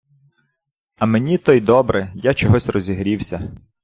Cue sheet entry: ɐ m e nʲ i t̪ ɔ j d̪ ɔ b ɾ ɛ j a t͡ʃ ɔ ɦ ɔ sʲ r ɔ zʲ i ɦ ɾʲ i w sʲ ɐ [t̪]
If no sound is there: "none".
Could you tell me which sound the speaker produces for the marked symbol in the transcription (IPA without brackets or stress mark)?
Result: none